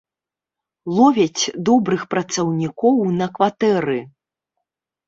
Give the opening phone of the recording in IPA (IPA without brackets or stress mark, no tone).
lˠ